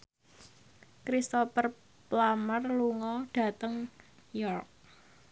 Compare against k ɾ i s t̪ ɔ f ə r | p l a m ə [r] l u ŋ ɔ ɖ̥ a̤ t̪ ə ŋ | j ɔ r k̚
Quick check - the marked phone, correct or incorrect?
correct